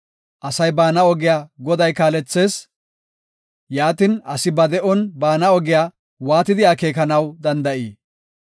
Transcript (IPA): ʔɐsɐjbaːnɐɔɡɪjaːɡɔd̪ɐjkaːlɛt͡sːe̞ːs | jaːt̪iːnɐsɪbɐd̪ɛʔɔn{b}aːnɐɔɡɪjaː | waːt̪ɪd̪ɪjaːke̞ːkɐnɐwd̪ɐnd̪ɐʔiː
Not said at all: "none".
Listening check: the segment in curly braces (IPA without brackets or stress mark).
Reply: b